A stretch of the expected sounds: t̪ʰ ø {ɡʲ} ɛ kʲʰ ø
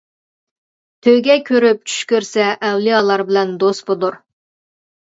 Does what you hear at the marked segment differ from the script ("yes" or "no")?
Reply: no